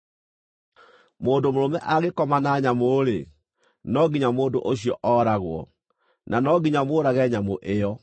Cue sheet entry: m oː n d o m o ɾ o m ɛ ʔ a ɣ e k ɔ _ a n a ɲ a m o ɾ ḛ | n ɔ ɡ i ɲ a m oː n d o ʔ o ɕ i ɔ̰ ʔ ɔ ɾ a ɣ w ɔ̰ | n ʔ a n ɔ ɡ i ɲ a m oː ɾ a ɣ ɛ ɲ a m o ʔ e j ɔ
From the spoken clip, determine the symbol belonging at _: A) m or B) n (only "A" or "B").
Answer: A